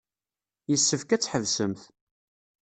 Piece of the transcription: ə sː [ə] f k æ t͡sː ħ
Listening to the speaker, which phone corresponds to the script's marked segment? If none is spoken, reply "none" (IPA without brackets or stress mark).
ə